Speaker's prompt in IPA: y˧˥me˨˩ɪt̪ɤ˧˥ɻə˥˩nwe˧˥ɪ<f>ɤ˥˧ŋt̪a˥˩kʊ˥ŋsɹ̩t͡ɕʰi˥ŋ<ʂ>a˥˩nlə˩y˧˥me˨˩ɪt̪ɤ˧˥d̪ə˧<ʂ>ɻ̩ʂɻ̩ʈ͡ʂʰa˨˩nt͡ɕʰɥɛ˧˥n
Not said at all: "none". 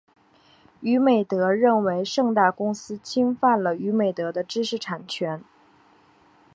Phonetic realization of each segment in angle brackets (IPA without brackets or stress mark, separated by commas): ʂ, f, ʈ͡ʂ